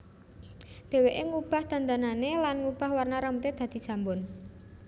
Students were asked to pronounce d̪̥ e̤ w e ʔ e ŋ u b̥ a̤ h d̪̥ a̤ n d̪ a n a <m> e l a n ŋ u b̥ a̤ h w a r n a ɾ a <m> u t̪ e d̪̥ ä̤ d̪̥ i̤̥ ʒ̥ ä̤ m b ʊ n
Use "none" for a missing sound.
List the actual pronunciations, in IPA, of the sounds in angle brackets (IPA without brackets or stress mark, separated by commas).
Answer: n, m